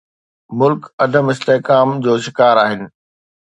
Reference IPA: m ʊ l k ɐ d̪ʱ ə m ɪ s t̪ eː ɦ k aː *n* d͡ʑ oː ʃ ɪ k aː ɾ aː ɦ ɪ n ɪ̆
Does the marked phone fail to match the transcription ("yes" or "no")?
yes